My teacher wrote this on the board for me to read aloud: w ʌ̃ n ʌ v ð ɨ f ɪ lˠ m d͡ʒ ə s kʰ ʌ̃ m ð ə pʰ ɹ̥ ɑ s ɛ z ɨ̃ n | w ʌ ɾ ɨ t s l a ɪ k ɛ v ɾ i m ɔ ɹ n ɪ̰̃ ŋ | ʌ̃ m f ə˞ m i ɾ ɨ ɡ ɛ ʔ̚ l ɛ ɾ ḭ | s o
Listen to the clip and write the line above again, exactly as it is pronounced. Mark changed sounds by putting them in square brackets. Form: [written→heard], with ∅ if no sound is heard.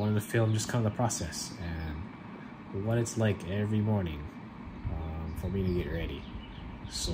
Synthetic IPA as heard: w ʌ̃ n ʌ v ð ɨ f ɪ lˠ m d͡ʒ [ə→ʌ] s kʰ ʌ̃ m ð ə pʰ ɹ̥ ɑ s ɛ [z→s] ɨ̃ n | w ʌ ɾ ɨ t s l a ɪ k ɛ v [ɾ→ɹ] i m ɔ ɹ n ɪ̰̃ ŋ | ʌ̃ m f ə˞ m i ɾ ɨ ɡ ɛ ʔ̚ [l→ɹ] ɛ ɾ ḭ | s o